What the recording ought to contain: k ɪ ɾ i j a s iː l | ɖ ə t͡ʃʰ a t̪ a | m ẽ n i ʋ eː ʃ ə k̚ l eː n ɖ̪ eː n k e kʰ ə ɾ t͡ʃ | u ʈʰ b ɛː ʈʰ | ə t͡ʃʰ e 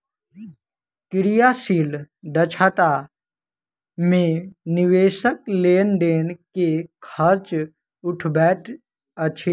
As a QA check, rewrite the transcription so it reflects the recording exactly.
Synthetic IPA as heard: k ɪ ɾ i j a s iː l | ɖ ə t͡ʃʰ a t̪ a | m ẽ n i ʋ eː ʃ ə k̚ l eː n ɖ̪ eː n k e kʰ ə ɾ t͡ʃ | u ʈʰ b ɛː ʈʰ | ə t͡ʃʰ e